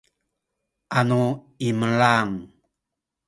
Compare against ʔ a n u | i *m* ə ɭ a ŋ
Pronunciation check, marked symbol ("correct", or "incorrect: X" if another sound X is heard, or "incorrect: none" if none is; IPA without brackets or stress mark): correct